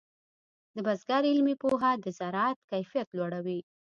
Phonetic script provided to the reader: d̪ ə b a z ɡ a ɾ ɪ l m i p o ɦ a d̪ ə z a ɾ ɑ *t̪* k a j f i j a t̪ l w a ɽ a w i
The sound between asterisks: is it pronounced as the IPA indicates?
yes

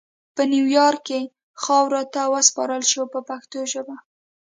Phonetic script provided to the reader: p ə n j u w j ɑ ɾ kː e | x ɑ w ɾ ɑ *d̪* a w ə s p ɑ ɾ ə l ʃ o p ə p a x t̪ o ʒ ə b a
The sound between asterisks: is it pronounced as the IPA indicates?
no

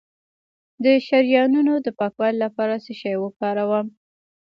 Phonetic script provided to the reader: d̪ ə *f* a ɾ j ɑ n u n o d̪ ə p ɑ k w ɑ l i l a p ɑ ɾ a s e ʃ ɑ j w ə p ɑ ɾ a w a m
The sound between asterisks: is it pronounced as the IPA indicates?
no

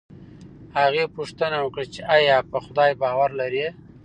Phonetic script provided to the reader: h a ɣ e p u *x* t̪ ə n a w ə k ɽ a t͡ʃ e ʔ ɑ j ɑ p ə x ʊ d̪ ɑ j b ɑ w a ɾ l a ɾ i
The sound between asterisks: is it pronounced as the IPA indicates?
no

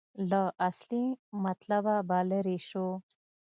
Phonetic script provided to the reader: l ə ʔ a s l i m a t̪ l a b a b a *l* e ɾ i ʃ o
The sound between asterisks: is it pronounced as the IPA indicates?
yes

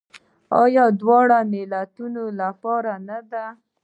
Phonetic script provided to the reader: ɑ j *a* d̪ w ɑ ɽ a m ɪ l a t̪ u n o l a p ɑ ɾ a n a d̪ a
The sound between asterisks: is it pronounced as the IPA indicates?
no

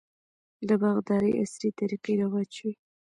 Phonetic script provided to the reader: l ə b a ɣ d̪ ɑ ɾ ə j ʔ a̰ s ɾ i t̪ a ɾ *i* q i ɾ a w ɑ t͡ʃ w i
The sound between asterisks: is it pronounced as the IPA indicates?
yes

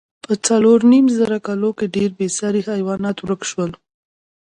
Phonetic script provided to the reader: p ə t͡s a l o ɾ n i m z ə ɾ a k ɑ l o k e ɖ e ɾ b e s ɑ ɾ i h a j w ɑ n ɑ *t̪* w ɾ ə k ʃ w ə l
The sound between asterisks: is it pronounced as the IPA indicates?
yes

